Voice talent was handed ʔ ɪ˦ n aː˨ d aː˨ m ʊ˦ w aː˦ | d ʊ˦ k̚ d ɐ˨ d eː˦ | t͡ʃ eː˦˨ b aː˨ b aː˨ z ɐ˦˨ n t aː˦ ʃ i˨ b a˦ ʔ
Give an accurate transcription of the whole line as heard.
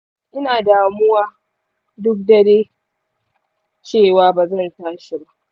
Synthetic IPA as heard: ʔ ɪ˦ n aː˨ d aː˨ m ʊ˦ w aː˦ | d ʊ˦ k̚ d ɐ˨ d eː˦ | t͡ʃ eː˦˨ w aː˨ b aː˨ z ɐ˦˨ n t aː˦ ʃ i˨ b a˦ ʔ